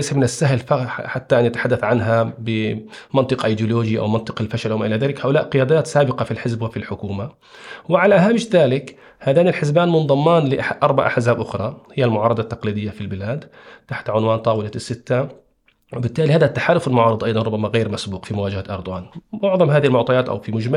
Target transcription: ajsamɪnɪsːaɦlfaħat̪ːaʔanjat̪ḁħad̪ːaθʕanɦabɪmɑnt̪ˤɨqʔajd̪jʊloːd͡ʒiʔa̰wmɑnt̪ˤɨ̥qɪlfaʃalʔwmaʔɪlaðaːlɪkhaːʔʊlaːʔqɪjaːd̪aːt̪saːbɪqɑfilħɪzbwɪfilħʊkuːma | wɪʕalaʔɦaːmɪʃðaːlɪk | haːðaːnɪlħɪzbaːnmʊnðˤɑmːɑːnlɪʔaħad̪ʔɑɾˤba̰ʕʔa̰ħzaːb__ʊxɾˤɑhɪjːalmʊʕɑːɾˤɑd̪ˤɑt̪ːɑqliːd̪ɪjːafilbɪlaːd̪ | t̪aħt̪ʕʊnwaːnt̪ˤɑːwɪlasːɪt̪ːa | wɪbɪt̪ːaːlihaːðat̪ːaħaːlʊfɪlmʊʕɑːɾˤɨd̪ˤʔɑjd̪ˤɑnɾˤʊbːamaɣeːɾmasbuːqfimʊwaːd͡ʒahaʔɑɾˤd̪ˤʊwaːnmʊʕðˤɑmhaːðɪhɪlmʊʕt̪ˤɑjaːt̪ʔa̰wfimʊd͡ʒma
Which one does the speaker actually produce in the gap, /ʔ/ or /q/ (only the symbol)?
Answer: ʔ